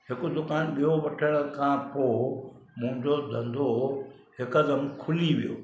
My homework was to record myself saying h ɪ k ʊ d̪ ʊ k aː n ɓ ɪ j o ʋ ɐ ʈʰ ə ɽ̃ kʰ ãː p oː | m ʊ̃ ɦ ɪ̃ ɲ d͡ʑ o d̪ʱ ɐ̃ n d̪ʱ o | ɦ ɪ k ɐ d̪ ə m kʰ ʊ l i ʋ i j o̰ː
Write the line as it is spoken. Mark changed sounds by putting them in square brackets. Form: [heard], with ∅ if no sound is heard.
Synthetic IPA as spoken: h ɪ k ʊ d̪ ʊ k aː n ɓ [i] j o ʋ ɐ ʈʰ ə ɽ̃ kʰ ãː p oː | m ʊ̃ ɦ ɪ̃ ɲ d͡ʑ o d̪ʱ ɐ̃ n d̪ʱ o | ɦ ɪ k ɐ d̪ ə m kʰ ʊ l i ʋ i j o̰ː